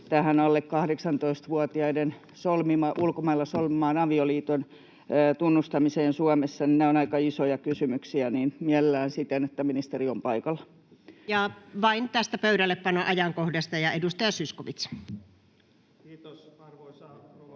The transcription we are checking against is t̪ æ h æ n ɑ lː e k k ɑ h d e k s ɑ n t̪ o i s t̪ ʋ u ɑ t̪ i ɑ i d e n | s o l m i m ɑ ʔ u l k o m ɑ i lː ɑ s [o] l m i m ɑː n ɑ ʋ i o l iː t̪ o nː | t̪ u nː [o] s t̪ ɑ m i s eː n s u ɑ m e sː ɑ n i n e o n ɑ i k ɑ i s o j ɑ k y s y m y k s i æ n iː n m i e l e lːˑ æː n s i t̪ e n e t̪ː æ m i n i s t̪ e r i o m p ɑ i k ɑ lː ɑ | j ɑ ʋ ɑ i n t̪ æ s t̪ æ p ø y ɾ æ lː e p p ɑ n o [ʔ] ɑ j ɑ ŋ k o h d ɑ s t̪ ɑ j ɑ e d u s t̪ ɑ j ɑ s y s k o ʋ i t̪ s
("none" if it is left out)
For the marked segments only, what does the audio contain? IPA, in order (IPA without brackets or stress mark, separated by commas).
o, u, ʔ